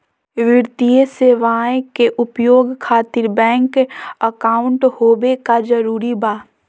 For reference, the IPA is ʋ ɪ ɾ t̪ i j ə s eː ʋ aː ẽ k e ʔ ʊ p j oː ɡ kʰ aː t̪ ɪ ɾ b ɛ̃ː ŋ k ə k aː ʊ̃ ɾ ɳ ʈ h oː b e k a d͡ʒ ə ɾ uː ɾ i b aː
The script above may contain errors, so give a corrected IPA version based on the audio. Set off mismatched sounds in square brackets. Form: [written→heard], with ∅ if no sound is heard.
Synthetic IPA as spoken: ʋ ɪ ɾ t̪ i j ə s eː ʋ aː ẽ k e ʔ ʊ p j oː ɡ kʰ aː t̪ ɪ ɾ b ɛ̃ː ŋ k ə k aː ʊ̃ [ɾ→∅] ɳ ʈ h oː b e k a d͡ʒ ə ɾ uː ɾ i b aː

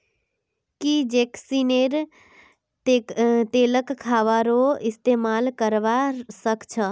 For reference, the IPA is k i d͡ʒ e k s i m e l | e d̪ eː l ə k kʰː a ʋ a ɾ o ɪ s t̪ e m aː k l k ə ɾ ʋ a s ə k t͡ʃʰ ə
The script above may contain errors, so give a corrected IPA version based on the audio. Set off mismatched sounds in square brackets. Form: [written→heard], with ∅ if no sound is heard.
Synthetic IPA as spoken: k i d͡ʒ e k s i [m→n] e [l→ɾ] | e [d̪→t̪] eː l ə k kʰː a ʋ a ɾ o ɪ s t̪ e m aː [k→∅] l k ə ɾ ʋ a s ə k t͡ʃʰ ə

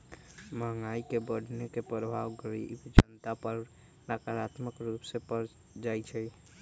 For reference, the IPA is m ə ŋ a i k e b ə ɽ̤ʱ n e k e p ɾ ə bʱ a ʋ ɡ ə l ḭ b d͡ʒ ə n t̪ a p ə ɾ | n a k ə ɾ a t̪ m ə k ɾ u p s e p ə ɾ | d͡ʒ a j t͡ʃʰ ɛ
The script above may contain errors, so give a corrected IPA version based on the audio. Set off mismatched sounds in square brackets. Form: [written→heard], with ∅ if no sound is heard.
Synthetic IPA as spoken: m ə ŋ a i k e b ə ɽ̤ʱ n e k e p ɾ ə bʱ a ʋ ɡ ə [l→ɾ] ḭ b d͡ʒ ə n t̪ a p ə ɾ | n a k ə ɾ a t̪ m ə k ɾ u p s e p ə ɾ | d͡ʒ a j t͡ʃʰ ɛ

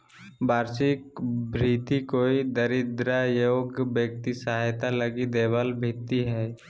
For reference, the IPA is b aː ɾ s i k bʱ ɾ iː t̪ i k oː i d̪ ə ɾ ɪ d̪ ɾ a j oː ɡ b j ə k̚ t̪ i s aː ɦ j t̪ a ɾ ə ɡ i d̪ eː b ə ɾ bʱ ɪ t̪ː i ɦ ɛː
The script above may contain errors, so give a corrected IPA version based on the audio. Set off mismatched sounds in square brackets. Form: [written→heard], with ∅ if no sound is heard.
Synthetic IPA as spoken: b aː ɾ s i k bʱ ɾ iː t̪ i k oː i d̪ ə ɾ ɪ d̪ ɾ a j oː ɡ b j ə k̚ t̪ i s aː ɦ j t̪ a [ɾ→l] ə ɡ i d̪ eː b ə [ɾ→l] bʱ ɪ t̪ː i ɦ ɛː

